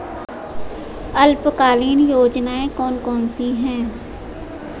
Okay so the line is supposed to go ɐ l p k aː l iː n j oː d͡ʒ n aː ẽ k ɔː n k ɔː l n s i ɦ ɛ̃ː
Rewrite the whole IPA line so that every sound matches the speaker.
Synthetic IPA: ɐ l p k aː l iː n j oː d͡ʒ n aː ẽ k ɔː n k ɔː n s i ɦ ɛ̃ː